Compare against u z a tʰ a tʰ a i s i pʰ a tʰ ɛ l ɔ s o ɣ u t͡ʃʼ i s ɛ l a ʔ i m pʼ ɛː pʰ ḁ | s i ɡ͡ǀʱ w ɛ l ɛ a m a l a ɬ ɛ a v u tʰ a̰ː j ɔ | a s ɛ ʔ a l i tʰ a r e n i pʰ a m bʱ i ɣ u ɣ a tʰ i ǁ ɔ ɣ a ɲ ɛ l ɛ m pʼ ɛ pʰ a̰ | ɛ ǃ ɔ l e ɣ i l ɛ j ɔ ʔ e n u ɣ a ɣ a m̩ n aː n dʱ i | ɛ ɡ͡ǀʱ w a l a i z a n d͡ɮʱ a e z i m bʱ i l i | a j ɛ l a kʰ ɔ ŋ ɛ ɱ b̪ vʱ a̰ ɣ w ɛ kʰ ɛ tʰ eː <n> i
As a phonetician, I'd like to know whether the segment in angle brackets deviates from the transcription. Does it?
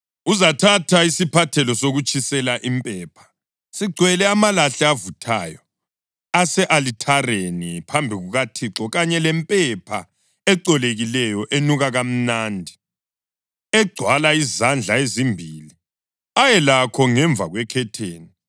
no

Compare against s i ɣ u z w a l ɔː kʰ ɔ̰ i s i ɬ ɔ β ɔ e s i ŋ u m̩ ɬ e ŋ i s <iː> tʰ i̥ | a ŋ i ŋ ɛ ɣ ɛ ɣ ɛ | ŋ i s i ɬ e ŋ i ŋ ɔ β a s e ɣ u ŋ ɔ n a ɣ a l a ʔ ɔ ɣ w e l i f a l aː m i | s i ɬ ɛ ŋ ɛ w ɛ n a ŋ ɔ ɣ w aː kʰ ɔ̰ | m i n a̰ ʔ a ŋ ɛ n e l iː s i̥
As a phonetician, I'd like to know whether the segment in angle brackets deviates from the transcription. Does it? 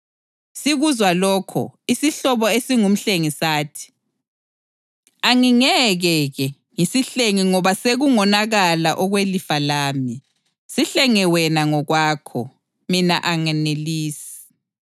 yes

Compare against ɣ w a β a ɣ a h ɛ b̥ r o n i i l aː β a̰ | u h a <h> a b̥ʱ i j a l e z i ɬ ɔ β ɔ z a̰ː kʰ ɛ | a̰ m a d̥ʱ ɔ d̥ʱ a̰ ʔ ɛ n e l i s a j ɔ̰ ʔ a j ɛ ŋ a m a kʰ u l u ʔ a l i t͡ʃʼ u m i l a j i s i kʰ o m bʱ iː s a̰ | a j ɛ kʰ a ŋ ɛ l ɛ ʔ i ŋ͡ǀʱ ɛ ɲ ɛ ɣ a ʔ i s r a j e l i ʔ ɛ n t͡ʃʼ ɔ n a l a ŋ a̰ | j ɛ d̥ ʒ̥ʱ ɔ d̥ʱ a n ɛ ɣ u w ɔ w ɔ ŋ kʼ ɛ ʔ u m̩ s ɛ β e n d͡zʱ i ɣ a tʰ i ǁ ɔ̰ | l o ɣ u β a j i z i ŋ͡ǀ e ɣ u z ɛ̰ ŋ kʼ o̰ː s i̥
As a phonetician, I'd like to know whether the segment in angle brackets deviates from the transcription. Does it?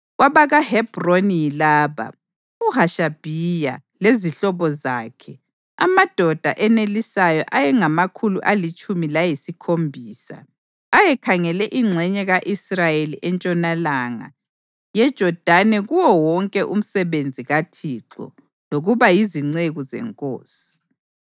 yes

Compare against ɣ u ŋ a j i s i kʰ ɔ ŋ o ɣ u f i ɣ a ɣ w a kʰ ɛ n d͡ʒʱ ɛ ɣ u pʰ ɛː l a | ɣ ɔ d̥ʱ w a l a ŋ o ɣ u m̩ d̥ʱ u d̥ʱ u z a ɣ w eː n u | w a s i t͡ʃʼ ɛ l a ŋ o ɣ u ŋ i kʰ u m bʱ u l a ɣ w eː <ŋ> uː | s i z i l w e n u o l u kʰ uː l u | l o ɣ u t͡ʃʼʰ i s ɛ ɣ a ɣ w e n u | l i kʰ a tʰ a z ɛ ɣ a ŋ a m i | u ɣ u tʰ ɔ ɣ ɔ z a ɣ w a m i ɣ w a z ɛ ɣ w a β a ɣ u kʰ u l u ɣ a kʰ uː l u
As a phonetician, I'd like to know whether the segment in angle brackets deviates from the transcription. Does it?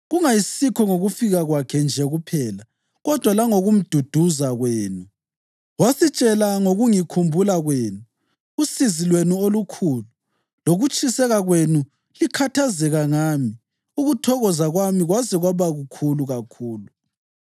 yes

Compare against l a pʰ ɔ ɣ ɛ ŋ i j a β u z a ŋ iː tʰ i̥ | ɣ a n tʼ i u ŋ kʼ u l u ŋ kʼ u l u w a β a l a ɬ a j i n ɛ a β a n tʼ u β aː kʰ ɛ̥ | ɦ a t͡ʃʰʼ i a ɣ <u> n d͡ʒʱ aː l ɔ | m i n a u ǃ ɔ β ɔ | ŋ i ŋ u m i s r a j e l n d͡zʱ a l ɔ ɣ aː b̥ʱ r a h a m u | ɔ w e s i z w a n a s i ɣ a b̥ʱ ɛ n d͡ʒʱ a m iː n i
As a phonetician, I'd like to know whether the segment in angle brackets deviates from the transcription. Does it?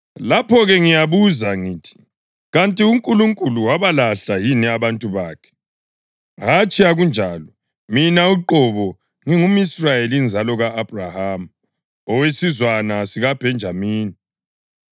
no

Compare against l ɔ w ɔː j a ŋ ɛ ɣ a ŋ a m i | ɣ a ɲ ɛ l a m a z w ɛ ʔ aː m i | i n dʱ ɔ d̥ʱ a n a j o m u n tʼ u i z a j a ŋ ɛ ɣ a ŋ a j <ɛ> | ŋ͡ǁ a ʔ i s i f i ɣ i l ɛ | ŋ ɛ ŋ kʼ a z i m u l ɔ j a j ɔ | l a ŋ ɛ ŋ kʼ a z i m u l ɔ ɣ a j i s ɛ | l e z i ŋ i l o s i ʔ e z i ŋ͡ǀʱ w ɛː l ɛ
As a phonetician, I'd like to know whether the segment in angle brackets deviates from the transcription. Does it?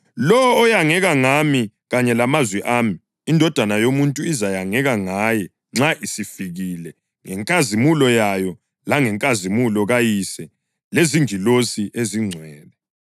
no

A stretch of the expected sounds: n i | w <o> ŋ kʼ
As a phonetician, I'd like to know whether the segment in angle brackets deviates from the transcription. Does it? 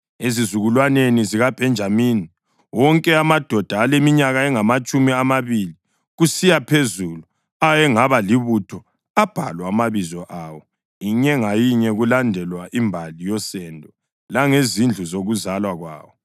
yes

